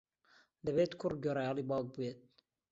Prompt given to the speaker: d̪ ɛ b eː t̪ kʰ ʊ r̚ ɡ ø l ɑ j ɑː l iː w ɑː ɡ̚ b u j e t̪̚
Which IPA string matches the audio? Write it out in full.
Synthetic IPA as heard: d̪ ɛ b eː t̪ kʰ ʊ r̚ ɡ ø ɾ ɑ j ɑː l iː b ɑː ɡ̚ b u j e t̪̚